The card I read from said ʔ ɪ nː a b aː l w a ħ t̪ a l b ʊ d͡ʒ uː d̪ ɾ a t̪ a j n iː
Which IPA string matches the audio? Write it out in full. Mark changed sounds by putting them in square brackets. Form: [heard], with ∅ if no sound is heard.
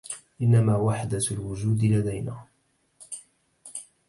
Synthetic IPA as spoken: ʔ ɪ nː a [m] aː [∅] w a ħ [d̪] a l [w] ʊ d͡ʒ uː d̪ [l] a [d̪] a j n [aː]